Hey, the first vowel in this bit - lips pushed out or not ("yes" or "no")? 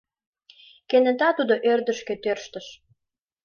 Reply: no